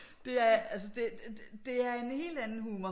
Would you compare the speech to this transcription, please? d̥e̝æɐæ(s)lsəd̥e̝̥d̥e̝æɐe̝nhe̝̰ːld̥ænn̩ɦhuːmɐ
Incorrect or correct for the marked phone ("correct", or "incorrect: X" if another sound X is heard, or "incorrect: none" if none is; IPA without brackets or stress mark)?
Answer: incorrect: none